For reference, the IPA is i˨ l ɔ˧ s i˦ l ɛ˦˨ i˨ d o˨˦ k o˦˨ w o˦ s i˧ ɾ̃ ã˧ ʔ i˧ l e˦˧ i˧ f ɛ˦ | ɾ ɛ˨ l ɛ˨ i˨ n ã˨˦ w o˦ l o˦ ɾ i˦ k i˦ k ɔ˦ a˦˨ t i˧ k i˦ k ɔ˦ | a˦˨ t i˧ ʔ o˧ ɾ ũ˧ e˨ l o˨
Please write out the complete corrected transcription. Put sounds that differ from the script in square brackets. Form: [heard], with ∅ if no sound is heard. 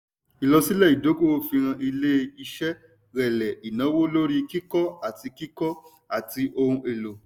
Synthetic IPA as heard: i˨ l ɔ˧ s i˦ l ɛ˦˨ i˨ d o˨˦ k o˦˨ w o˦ [f] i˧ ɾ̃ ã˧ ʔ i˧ l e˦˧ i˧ [ʃ] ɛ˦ | ɾ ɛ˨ l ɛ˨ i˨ n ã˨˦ w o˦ l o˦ ɾ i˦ k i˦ k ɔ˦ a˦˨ t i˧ k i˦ k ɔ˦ | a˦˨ t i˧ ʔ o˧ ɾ ũ˧ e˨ l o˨